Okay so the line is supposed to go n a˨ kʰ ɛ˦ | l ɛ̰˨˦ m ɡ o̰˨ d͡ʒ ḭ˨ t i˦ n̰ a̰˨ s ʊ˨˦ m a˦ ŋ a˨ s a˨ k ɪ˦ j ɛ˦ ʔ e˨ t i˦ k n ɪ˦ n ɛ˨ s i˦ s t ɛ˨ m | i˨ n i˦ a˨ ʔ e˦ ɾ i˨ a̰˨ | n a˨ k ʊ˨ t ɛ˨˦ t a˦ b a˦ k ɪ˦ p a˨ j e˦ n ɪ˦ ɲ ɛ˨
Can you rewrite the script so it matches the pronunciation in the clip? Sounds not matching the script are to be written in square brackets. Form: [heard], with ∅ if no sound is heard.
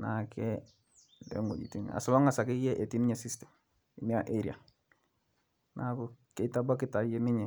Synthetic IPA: n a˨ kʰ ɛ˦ | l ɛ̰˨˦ [ŋ] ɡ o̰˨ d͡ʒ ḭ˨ t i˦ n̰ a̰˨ s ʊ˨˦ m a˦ ŋ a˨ s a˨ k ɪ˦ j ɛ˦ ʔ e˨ t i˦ [∅] n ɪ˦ [ɲ] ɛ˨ s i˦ s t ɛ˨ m | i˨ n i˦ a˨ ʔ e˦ ɾ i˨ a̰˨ | n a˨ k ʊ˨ [k] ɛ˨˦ t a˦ b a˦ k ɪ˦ [t] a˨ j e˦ n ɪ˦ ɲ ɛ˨

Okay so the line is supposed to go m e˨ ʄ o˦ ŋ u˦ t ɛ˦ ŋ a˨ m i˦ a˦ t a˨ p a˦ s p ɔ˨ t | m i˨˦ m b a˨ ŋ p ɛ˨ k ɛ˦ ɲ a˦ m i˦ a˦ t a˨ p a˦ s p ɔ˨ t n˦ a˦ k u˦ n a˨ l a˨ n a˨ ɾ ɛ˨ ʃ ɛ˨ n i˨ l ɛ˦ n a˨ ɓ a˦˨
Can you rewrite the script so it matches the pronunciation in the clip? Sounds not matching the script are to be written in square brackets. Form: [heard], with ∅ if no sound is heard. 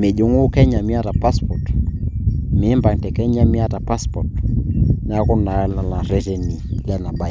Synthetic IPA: m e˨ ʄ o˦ ŋ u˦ [k] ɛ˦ [ɲ] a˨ m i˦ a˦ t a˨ p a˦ s p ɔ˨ t | m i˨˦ m b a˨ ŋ [t] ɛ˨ k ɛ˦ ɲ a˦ m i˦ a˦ t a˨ p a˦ s p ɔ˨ t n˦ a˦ k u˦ n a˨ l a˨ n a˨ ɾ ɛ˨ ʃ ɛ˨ n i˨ l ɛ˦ n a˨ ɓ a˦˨

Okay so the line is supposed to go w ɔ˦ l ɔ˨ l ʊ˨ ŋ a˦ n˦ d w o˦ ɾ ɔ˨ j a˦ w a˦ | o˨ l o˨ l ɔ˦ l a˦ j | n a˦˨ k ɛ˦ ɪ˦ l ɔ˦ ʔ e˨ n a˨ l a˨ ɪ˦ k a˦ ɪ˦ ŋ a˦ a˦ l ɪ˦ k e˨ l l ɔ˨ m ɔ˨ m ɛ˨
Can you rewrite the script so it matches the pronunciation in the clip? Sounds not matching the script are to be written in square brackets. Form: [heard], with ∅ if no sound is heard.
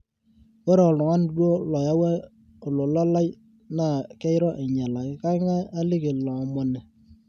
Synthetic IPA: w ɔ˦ [ɾ] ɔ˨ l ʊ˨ ŋ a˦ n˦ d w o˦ [l] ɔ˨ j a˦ w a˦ | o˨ l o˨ l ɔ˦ l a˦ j | n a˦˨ k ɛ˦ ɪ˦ [ɾ] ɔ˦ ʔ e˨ [ɲ] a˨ l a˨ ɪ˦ k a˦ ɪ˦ ŋ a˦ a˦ l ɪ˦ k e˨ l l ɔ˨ m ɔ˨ [n] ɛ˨

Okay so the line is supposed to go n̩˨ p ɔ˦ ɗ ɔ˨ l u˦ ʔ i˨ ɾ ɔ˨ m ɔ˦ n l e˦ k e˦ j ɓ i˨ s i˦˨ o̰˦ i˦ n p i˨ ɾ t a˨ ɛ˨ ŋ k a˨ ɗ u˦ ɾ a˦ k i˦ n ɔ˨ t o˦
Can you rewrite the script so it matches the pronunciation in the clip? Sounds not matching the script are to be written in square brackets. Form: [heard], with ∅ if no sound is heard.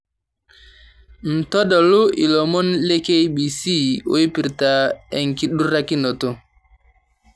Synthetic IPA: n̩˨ [t] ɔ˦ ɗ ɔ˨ l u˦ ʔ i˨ [l] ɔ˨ m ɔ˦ n l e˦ k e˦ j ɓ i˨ s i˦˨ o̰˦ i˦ [∅] p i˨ ɾ t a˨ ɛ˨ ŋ k [i˨] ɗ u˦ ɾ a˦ k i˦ n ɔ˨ t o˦

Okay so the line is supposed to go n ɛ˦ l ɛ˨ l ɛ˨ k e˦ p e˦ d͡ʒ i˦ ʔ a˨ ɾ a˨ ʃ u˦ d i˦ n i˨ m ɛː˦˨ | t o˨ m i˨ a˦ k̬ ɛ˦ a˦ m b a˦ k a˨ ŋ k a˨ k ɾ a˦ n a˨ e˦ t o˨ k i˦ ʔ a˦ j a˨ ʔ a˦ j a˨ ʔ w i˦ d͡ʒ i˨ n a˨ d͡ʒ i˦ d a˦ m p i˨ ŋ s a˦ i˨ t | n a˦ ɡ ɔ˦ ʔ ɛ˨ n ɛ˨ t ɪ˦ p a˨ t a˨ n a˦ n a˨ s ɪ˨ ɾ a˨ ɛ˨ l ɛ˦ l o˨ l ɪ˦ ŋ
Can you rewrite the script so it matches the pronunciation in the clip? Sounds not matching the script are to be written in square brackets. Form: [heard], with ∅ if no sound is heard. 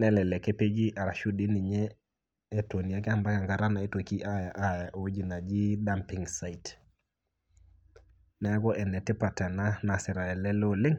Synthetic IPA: n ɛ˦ l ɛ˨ l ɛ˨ k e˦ p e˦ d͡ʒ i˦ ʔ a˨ ɾ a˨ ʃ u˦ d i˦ n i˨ [ɲ] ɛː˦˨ | t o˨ [n] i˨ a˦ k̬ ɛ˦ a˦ m b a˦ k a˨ ŋ [ɡ] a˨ [∅] ɾ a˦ n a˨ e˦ t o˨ k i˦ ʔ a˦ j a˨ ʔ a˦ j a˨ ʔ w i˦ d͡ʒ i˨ n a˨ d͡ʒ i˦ d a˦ m p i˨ ŋ s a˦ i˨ t | n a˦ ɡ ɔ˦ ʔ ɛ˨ n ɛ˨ t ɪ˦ p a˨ t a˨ n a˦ n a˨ s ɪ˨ ɾ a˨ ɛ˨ l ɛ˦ l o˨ l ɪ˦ ŋ

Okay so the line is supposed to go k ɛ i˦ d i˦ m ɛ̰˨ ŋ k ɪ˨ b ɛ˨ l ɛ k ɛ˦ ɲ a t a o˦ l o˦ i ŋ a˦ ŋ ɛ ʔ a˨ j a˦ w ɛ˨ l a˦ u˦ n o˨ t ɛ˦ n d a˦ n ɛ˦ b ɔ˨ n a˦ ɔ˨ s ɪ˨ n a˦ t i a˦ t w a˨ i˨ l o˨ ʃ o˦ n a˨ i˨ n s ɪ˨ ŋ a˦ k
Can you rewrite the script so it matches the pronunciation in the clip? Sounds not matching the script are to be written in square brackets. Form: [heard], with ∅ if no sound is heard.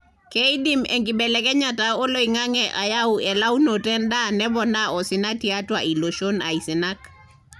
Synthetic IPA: k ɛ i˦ d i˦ m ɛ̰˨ ŋ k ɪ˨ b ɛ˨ l ɛ k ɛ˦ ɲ a t a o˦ l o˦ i ŋ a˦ ŋ ɛ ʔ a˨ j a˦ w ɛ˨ l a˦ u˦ n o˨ t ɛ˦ n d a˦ n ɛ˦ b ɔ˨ n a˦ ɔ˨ s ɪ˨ n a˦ t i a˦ t w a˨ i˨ l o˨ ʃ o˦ n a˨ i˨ [∅] s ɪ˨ [n] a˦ k

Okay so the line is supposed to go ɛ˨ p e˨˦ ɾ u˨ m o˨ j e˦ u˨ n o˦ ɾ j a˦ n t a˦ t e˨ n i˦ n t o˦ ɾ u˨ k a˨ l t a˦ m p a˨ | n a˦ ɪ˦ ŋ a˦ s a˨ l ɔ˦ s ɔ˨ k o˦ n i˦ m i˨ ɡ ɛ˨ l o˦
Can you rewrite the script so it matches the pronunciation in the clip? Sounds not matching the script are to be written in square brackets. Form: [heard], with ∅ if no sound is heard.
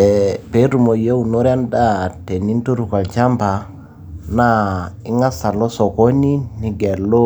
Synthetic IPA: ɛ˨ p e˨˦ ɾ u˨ m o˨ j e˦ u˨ n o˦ ɾ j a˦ n [d] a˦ t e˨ n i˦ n t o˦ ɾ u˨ k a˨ l [t͡ʃ] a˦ m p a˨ | n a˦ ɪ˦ ŋ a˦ s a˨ l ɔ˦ s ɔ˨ k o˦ n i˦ [n] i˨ ɡ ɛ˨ l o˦

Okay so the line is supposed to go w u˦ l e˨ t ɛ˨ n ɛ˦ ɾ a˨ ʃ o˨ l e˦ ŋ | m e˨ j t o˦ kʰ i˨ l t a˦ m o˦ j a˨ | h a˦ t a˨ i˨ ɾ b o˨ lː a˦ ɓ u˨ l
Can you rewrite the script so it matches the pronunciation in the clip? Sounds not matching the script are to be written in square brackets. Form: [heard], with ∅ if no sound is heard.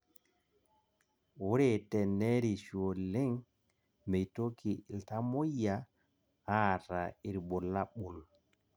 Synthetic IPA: w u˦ [ɾ] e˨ t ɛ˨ n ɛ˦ ɾ [i˨] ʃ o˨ l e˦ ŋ | m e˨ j t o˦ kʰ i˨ l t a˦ m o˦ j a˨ | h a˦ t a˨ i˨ ɾ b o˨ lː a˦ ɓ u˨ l

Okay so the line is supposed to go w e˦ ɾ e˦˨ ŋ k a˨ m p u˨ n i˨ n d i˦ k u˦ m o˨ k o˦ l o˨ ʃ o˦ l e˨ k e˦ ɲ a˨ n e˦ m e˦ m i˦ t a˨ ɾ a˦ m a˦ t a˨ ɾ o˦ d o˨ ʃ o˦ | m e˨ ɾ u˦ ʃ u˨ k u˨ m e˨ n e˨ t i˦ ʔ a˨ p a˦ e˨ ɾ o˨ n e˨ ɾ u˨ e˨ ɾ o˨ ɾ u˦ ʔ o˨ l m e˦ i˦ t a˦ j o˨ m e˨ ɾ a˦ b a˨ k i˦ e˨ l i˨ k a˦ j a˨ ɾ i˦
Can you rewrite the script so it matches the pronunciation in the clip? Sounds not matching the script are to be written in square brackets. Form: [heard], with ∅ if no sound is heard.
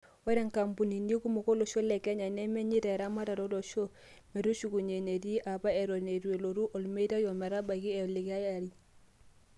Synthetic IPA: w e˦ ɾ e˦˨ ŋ k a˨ m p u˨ n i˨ n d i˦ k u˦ m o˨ k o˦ l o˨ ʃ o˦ l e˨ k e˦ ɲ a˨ n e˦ m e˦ [ɲ] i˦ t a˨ ɾ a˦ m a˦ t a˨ ɾ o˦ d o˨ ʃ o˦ | m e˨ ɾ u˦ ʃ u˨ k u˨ [ɲ] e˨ n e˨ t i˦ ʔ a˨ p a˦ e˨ ɾ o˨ n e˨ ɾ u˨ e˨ [l] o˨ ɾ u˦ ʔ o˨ l m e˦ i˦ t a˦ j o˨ m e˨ ɾ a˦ b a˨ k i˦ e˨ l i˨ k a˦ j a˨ ɾ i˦

